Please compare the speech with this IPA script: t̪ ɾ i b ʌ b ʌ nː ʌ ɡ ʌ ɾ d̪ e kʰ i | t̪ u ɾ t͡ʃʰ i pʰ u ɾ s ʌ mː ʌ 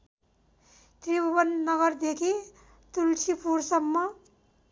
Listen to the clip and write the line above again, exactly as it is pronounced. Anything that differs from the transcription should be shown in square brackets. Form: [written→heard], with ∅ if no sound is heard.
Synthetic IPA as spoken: t̪ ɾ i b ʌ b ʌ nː ʌ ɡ ʌ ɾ d̪ e kʰ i | t̪ u [ɾ→l] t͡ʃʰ i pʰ u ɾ s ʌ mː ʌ